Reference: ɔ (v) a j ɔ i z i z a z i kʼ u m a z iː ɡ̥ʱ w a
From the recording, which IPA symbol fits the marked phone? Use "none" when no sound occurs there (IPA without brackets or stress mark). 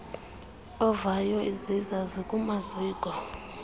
v